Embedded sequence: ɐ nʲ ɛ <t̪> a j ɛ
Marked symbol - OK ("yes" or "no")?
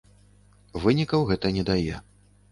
no